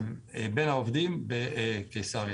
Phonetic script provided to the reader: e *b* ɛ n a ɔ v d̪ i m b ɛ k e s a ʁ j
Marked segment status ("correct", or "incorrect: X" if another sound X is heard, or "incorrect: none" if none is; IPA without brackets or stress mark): correct